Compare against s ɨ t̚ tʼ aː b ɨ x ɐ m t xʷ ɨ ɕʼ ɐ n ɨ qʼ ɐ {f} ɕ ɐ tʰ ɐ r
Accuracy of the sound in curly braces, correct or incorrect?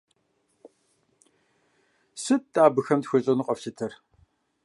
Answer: correct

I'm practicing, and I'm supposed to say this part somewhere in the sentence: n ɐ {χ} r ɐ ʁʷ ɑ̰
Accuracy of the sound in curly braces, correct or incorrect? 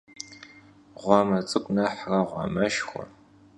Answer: incorrect: ħ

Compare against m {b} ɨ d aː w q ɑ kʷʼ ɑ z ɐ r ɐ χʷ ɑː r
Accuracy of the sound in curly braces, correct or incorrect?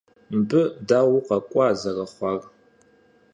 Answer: correct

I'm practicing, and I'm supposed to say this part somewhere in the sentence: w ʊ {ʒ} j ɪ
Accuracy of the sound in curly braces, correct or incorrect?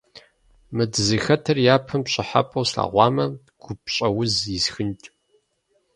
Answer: incorrect: z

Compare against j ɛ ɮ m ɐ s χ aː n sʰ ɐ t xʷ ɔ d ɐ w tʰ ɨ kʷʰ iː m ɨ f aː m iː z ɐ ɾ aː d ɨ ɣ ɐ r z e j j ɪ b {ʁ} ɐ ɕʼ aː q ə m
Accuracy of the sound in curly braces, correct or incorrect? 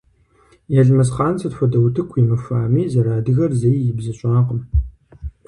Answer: incorrect: z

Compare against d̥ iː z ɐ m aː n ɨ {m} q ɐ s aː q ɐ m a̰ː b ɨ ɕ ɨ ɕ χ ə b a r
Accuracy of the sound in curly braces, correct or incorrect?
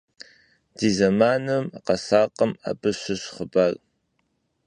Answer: correct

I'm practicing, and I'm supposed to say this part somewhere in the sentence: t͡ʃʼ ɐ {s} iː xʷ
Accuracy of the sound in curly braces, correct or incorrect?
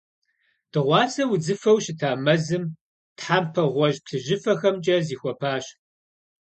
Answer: incorrect: z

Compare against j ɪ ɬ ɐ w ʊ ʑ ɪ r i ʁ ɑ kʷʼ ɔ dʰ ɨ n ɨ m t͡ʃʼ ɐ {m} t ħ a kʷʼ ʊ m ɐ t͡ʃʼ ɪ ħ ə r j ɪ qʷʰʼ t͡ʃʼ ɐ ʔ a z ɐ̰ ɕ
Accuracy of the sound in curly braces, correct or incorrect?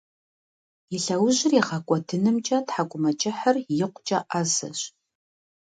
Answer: incorrect: none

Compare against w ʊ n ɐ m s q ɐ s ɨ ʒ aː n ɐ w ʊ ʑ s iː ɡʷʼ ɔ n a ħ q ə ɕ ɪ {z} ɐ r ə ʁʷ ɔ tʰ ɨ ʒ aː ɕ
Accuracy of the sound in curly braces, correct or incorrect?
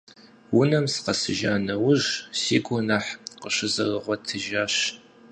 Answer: correct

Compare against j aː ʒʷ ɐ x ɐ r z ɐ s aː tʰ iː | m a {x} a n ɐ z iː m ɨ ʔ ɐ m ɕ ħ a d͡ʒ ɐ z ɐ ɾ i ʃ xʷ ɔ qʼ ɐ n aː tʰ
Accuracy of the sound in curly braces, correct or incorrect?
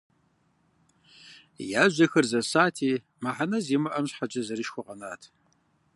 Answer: incorrect: ħ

